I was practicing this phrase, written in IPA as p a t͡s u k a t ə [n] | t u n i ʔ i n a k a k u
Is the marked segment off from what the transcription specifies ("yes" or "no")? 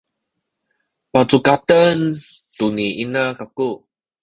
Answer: no